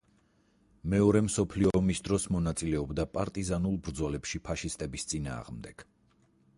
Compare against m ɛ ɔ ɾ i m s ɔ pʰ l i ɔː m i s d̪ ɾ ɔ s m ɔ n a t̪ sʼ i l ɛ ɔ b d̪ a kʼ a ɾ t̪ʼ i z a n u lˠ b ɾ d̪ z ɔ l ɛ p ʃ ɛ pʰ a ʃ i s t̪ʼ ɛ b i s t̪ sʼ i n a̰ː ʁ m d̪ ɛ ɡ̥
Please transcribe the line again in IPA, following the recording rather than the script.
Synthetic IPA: m ɛ ɔ ɾ ɛ m s ɔ pʰ l i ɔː m i s d̪ ɾ ɔ s m ɔ n a t̪ sʼ i l ɛ ɔ b d̪ a pʼ a ɾ t̪ʼ i z a n u lˠ b ɾ d̪ z ɔ l ɛ p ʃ i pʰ a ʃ i s t̪ʼ ɛ b i s t̪ sʼ i n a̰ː ʁ m d̪ ɛ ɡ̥